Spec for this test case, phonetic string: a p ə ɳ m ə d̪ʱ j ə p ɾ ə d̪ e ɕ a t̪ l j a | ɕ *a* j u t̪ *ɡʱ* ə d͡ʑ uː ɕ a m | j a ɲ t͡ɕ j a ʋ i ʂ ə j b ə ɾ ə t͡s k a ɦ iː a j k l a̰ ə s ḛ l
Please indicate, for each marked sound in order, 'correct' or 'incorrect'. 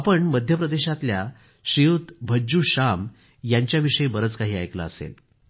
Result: incorrect, incorrect

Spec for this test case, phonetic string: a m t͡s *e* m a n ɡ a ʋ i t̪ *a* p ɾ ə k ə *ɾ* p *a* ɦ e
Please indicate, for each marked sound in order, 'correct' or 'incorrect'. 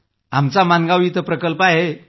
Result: incorrect, incorrect, incorrect, correct

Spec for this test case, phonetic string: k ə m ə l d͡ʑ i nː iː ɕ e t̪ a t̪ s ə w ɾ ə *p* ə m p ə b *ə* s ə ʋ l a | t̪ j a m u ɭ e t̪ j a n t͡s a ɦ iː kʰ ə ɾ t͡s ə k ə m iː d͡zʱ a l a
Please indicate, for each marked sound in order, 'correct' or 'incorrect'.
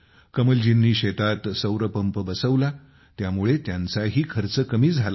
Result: correct, correct

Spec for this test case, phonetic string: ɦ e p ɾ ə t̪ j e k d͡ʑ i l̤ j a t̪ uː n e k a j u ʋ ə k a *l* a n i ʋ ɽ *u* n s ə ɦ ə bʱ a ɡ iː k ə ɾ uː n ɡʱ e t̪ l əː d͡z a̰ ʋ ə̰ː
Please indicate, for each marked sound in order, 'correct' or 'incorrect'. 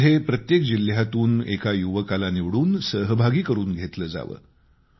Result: correct, incorrect

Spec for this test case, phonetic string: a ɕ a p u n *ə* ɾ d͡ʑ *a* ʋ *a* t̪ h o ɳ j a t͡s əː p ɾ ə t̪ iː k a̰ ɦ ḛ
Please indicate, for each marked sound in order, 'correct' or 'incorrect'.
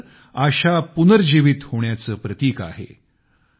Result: correct, incorrect, incorrect

